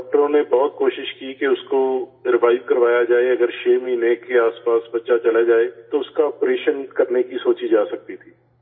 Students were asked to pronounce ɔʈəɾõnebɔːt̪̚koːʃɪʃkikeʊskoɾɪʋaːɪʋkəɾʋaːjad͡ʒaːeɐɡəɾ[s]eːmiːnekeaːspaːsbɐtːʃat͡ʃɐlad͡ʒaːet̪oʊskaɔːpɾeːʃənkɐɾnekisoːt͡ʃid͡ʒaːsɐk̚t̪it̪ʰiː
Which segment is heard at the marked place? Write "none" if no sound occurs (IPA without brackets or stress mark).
ʃ